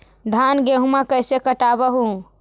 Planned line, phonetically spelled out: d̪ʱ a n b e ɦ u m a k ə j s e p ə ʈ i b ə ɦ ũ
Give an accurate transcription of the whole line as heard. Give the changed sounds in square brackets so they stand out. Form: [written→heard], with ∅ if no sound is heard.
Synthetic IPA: d̪ʱ a n [b→ɡ] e ɦ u m a k ə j s e [p→k] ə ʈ [i→a] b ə ɦ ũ